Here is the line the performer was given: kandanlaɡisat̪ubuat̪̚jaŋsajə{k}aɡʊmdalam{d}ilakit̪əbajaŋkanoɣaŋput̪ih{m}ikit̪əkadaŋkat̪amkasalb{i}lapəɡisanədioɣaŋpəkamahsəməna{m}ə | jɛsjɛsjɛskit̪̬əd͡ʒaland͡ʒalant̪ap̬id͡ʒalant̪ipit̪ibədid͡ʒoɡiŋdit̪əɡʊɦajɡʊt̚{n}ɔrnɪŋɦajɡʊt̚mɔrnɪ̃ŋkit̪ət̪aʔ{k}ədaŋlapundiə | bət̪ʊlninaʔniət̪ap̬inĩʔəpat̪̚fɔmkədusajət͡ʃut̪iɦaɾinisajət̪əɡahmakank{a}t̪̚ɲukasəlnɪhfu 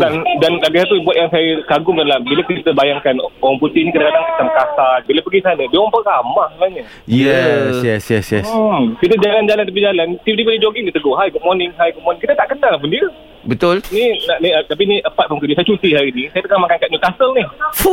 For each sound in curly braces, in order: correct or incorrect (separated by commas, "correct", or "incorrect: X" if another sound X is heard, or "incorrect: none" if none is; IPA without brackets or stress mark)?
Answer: correct, incorrect: b, incorrect: n, correct, incorrect: ɲ, incorrect: m, correct, correct